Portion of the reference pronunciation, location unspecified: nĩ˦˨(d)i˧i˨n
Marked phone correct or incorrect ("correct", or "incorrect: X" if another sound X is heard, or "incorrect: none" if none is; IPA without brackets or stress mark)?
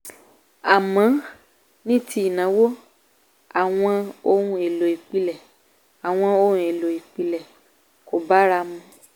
incorrect: t